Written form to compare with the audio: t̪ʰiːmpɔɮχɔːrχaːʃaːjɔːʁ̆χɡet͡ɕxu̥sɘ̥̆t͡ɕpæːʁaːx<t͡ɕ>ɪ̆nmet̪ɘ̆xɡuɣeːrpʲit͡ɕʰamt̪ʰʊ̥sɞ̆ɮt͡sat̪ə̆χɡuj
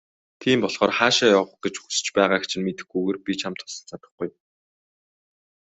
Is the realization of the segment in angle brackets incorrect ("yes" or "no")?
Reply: yes